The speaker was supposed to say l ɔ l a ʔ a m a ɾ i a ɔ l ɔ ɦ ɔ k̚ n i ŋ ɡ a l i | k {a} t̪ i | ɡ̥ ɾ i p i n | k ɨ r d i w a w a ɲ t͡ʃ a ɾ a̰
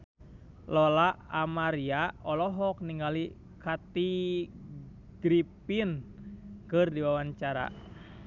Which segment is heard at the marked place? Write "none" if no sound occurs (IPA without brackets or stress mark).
a